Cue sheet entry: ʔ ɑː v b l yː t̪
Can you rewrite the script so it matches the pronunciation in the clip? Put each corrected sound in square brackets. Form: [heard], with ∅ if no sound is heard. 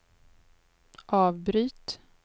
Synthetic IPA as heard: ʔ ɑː v b [ɾ] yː t̪